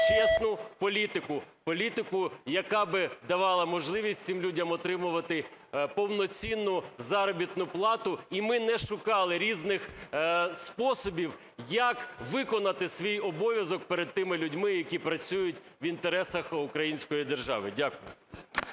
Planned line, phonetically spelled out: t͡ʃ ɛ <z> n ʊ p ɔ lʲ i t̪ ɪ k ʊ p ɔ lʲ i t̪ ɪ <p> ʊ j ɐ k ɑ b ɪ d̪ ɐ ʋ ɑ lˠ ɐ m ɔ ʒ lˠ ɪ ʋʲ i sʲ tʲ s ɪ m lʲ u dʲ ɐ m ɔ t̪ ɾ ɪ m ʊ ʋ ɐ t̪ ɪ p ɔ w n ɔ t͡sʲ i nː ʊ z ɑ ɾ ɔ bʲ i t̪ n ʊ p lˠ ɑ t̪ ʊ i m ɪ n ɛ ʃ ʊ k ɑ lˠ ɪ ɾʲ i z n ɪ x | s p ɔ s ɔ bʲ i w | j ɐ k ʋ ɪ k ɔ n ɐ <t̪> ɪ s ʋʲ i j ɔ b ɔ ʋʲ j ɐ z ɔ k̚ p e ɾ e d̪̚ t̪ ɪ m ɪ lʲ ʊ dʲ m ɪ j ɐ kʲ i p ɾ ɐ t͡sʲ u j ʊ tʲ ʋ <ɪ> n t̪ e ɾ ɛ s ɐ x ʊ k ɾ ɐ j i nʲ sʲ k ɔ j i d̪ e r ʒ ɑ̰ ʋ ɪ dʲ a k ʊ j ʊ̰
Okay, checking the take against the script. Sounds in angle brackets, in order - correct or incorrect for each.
incorrect: s, incorrect: k, correct, incorrect: i

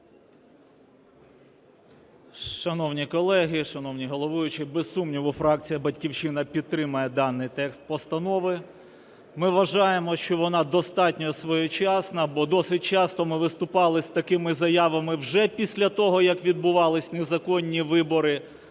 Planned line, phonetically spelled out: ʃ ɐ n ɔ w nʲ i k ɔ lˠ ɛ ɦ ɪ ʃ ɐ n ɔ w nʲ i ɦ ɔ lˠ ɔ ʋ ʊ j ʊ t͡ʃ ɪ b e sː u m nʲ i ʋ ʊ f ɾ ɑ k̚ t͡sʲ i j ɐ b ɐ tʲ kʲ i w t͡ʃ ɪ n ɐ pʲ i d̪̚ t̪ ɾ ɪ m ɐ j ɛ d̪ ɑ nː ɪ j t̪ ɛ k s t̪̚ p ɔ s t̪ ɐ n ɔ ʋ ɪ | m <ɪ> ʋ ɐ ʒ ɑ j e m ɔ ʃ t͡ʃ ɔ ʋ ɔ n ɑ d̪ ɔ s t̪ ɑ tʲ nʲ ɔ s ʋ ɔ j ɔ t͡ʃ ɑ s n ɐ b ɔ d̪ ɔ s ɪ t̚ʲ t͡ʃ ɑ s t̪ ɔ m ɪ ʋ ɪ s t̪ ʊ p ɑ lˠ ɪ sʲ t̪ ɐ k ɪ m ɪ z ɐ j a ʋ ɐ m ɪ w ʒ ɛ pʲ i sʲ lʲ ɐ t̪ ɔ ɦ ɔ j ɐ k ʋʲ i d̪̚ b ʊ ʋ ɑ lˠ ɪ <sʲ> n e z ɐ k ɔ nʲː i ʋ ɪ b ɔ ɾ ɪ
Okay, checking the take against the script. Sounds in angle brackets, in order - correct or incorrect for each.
correct, correct

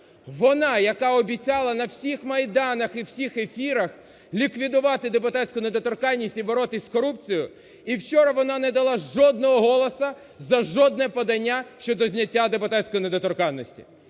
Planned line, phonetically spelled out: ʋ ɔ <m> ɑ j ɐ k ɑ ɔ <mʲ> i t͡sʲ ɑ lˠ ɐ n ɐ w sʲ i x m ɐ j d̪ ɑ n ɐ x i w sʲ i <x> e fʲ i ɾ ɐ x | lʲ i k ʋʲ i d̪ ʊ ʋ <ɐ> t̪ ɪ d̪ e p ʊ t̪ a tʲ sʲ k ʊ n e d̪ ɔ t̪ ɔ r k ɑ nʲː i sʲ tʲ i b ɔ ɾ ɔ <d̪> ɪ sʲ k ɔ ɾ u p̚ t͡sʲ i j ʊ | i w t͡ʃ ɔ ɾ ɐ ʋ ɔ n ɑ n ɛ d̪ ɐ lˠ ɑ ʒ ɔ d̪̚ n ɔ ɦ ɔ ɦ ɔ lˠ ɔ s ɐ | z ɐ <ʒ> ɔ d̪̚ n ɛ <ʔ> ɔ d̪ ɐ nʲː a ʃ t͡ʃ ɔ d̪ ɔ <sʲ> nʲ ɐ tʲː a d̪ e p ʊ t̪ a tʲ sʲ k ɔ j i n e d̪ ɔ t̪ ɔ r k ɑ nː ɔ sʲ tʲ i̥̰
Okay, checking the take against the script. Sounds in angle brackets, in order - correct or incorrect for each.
incorrect: n, incorrect: bʲ, correct, incorrect: ɑ, incorrect: t̪, correct, incorrect: p, incorrect: zʲ

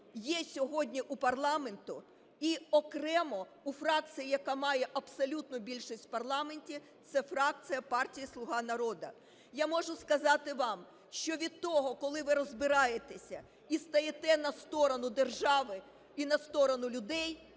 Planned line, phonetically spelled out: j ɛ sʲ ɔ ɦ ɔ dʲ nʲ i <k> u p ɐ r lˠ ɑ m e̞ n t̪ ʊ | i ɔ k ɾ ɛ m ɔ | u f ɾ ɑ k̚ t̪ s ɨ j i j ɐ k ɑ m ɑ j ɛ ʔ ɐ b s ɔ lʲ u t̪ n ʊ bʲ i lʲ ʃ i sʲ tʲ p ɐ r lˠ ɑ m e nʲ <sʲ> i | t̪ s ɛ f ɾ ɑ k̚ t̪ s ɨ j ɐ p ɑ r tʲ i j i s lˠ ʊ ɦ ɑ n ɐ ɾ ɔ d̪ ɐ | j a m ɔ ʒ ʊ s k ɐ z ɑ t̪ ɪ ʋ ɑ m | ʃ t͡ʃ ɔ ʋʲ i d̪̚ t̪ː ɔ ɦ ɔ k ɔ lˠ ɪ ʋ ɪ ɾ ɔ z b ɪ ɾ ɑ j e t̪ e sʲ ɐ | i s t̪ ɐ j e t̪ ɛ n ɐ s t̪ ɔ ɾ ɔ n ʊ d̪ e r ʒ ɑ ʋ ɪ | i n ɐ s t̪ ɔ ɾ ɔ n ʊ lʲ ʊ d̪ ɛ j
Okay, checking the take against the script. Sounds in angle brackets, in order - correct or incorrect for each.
incorrect: ʔ, incorrect: tʲ

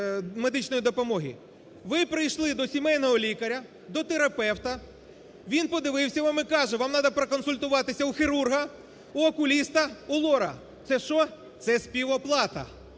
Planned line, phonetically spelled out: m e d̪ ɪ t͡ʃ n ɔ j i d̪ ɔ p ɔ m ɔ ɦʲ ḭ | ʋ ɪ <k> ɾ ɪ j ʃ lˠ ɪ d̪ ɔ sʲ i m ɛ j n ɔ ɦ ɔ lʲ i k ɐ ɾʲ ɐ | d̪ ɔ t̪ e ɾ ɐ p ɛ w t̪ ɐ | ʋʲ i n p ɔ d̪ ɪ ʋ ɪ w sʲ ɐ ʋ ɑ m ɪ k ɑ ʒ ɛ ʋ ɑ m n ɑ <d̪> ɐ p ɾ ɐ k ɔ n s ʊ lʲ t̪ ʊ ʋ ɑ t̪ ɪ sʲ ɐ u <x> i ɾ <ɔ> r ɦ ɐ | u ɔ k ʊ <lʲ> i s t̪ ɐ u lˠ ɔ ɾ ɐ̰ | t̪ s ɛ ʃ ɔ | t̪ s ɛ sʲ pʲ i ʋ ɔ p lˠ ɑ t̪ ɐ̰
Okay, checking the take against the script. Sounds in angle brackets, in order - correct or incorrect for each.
incorrect: p, correct, correct, incorrect: u, correct

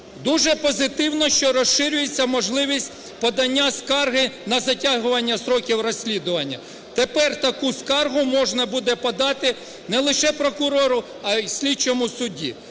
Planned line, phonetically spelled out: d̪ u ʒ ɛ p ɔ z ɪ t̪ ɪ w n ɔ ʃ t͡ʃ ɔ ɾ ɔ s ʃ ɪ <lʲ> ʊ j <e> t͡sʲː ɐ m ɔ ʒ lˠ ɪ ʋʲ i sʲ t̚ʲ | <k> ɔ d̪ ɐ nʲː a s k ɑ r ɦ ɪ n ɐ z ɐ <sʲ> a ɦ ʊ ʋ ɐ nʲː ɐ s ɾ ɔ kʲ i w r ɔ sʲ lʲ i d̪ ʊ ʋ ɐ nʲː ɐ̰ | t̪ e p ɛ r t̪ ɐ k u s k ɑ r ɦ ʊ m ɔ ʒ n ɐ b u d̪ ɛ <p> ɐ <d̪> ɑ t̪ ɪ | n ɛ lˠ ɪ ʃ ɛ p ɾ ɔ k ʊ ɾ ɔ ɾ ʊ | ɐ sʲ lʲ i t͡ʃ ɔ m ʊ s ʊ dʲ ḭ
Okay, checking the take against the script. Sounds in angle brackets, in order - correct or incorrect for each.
incorrect: ɾʲ, correct, incorrect: p, incorrect: tʲ, correct, correct

